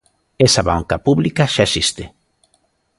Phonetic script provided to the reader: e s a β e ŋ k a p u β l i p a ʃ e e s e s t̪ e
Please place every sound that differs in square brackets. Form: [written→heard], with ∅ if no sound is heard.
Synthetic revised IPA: e s a β [e→a] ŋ k a p u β l i [p→k] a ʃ [e→a] e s [e→i] s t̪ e